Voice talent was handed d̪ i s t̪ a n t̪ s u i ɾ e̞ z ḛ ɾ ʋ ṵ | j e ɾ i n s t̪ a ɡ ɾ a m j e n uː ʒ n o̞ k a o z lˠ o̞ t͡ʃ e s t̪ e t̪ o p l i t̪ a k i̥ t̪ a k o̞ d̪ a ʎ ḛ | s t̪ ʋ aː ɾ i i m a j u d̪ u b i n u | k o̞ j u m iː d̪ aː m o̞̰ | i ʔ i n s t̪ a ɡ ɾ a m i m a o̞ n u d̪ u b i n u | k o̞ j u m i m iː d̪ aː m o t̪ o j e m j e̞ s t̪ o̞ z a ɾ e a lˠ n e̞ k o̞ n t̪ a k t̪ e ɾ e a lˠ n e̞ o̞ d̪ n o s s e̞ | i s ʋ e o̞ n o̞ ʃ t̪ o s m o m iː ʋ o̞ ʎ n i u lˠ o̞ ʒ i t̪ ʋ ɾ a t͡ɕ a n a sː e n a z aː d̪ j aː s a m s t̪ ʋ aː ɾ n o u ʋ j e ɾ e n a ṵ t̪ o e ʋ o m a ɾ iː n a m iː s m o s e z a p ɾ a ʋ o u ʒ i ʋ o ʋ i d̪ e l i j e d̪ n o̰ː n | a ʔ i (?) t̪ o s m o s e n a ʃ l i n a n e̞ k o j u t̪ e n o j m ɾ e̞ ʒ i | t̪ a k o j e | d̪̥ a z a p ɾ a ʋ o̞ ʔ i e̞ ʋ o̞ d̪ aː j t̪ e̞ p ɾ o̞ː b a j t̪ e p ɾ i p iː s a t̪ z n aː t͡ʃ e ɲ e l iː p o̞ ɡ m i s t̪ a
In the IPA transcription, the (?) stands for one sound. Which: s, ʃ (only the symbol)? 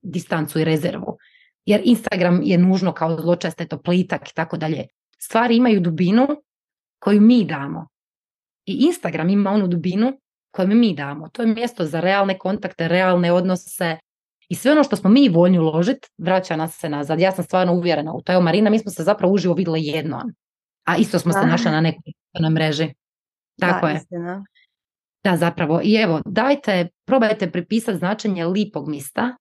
s